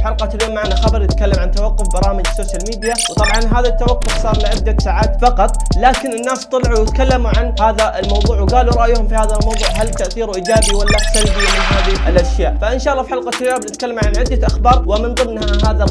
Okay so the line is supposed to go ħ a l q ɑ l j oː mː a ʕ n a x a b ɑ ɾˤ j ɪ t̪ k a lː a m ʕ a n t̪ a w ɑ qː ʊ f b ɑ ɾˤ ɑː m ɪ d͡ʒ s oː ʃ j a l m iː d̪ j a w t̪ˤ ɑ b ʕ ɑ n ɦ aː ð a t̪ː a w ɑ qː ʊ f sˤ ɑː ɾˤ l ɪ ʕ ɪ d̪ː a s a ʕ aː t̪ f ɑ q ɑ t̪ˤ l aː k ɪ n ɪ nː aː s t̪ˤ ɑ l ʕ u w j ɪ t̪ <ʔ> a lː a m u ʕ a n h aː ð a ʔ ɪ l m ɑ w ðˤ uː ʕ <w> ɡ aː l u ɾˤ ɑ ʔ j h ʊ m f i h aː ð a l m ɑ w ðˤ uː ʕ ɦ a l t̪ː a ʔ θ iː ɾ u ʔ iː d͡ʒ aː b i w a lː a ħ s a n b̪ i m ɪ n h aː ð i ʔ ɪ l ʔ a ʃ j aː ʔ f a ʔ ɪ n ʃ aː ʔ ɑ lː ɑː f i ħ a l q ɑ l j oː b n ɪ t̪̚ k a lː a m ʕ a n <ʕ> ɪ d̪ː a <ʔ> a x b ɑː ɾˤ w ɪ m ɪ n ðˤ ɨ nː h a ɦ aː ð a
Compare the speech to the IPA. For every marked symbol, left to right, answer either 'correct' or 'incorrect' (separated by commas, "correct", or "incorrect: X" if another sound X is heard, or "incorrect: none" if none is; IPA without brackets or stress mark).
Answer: incorrect: k, correct, correct, correct